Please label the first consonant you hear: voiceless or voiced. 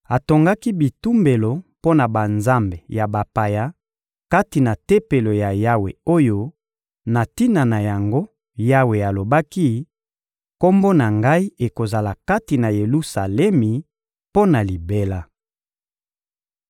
voiceless